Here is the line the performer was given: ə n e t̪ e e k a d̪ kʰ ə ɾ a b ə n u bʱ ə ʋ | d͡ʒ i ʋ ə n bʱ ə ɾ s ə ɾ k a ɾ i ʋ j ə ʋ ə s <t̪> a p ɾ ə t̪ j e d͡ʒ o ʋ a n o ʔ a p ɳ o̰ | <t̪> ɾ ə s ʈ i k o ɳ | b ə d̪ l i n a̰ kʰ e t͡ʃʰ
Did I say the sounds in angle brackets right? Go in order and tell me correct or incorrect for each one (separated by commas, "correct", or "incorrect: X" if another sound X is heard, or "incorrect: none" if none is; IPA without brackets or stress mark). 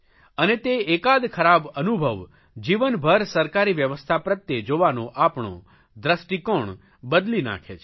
incorrect: t̪ʰ, incorrect: d̪